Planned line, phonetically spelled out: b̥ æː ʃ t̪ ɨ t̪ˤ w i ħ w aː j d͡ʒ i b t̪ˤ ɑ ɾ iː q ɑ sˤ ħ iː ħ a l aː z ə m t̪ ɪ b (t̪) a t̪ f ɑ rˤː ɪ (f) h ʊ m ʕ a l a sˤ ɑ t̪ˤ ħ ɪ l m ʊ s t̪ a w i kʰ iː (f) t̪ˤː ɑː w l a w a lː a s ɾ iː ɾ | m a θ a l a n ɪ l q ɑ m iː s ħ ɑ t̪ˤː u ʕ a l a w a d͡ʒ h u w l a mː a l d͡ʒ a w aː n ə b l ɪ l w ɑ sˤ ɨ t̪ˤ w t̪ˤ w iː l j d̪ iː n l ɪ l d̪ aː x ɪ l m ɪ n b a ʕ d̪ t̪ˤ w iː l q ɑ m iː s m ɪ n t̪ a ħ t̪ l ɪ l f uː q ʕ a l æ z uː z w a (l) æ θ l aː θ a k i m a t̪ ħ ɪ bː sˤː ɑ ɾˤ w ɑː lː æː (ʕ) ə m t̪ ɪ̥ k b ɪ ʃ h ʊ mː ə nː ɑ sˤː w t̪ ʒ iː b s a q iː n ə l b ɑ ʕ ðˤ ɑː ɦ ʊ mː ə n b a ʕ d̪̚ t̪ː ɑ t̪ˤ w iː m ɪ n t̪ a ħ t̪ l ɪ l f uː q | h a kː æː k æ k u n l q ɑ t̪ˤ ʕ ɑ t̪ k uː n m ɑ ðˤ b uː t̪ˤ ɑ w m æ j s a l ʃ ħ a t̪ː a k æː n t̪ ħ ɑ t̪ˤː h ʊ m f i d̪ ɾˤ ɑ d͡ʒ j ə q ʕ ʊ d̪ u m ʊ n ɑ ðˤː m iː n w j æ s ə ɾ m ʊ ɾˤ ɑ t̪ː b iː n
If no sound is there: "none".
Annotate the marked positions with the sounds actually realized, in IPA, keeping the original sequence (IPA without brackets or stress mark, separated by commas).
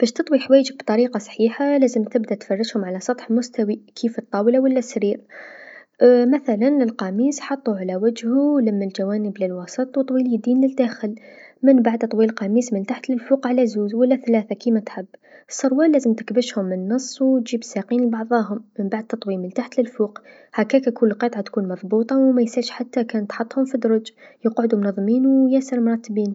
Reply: d̪, ʃ, f, lː, z